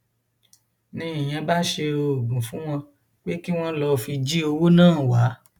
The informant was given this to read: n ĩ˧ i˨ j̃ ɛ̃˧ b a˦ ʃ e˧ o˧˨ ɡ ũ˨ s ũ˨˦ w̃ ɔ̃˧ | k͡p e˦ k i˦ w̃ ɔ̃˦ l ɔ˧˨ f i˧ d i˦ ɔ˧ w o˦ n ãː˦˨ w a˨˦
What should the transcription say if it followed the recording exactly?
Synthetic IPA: n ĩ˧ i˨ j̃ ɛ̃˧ b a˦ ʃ e˧ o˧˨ ɡ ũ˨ f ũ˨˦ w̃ ɔ̃˧ | k͡p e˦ k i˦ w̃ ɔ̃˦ l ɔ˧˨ f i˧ d͡ʒ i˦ o˧ w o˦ n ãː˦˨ w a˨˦